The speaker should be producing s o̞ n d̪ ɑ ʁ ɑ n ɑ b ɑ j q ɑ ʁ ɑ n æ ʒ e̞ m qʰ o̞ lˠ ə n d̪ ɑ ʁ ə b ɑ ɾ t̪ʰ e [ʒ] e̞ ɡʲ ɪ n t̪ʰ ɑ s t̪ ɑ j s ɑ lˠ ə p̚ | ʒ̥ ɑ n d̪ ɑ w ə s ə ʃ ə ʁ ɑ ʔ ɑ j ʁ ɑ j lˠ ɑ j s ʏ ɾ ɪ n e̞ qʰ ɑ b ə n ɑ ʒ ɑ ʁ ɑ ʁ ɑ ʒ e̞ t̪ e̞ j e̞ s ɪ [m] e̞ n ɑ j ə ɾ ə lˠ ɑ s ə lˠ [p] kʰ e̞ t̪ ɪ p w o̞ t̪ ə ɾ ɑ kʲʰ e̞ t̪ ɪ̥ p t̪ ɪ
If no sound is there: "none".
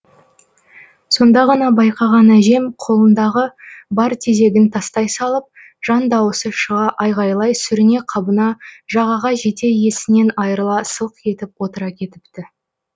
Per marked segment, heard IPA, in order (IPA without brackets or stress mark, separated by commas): z, n, q